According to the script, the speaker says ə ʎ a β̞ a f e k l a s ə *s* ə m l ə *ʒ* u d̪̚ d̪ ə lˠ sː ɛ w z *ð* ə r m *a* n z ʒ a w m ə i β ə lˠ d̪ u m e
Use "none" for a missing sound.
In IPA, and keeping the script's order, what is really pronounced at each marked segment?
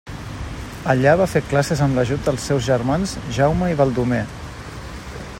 z, ʒ, ʒ, a

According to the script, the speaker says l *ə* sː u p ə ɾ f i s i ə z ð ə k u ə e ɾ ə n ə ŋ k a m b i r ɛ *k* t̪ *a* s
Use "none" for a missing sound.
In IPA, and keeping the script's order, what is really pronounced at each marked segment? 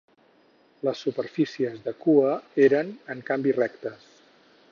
ə, k, ə

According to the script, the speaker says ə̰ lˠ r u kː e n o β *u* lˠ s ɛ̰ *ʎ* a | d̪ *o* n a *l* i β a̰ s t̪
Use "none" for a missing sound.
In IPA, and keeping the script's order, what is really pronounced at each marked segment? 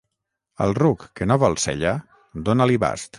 ɔ, ʎ, o, l

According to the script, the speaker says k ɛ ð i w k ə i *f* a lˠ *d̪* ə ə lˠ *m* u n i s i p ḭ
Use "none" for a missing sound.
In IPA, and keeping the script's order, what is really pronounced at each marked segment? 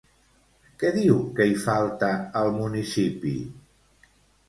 f, t̪, m

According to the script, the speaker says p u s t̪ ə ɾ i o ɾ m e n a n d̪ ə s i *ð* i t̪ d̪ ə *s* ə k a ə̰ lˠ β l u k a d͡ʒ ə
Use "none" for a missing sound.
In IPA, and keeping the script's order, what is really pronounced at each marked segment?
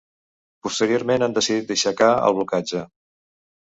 ð, ʃ

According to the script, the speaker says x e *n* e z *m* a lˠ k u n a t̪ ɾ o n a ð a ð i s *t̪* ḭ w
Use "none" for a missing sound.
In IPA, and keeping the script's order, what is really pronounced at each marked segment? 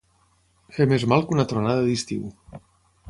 m, m, t̪

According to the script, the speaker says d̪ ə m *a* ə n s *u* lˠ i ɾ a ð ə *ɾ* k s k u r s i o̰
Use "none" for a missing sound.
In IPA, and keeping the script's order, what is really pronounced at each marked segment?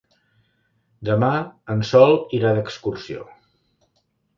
a, ɔ, none

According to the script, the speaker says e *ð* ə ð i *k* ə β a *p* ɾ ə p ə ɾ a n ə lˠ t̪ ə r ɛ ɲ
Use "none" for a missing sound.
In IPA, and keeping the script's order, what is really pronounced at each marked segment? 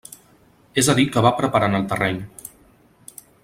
z, k, p

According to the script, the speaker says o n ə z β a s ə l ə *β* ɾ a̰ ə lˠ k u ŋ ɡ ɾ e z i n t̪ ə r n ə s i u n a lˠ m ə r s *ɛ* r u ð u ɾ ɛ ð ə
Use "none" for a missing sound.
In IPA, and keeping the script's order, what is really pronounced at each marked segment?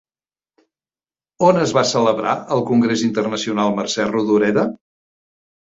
β, ɛ

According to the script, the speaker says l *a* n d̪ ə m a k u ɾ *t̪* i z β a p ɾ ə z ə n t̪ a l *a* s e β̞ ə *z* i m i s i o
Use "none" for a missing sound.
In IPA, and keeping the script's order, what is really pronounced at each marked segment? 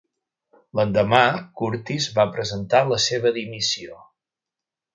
ə, t̪, ə, ð

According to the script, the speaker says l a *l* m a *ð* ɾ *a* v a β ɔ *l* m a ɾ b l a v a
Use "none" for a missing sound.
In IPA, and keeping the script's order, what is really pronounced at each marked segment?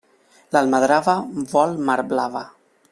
l, ð, a, l

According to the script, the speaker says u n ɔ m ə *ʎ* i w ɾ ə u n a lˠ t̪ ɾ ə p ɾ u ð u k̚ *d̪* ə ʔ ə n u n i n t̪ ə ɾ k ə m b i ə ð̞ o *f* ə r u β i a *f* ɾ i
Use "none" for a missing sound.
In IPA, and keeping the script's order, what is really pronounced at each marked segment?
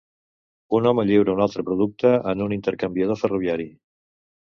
ʎ, t̪, f, none

